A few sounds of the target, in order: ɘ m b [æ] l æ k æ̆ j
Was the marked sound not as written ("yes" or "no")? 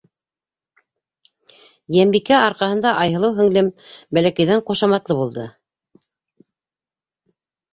no